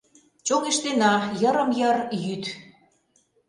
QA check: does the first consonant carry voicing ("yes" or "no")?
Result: no